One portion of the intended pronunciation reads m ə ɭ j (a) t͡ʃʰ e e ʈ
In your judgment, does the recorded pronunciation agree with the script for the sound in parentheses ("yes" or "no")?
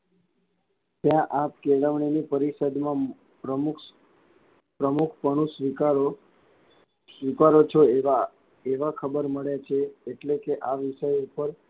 yes